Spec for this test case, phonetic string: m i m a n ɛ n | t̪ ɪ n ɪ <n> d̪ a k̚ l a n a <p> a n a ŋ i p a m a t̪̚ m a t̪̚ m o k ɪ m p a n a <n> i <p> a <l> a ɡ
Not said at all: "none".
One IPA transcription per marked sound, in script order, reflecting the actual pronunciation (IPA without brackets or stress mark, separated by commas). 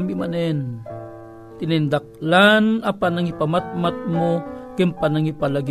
n, p, ŋ, p, l